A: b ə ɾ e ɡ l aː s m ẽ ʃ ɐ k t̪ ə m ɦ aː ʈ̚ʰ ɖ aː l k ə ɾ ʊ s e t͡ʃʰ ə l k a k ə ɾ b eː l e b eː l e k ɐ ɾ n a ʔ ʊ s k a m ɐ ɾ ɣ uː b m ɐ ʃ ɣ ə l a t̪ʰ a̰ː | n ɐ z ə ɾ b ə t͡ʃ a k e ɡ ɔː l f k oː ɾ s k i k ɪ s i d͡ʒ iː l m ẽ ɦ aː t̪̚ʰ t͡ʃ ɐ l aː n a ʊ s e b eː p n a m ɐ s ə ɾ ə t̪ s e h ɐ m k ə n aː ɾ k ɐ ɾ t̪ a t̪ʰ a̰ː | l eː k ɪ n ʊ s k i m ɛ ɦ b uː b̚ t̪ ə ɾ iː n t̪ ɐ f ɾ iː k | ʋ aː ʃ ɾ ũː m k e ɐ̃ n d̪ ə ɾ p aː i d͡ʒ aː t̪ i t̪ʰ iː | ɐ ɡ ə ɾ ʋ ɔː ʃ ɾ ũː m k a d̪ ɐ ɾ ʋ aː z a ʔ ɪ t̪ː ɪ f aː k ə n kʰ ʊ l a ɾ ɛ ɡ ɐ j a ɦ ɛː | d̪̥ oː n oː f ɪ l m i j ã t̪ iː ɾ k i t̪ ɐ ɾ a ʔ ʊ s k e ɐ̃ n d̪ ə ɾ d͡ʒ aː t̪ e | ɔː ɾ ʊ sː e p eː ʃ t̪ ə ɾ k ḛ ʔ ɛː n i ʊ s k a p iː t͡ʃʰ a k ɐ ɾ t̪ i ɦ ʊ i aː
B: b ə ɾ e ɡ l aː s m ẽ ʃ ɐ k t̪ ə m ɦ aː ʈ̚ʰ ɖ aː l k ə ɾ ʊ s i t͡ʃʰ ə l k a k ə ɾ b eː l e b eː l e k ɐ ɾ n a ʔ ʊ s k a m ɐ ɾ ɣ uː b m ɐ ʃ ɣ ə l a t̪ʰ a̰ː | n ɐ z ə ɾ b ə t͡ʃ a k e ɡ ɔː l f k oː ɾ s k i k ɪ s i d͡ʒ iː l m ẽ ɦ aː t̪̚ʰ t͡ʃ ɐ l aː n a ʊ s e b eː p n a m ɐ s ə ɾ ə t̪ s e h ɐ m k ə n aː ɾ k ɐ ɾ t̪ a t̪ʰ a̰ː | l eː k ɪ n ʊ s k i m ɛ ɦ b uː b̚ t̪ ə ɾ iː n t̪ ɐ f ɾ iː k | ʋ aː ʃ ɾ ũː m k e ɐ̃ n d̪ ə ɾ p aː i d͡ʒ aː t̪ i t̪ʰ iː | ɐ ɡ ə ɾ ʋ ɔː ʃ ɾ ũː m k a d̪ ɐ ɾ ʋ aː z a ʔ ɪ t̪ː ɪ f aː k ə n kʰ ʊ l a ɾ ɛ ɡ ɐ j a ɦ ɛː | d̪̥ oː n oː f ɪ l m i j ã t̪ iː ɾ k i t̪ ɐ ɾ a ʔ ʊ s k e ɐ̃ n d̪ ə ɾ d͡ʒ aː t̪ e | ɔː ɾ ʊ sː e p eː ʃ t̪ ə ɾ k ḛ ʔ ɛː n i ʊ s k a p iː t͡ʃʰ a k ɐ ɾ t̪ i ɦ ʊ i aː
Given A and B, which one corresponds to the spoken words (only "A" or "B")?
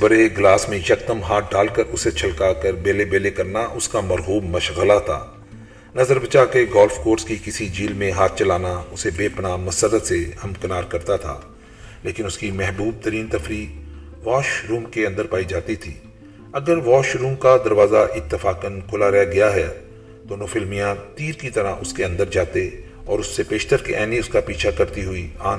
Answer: A